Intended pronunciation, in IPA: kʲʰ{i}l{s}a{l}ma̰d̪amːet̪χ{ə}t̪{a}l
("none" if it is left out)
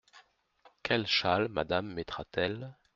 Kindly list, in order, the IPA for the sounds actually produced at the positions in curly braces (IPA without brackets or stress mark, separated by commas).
ɛ, ʃ, l, a, ɛ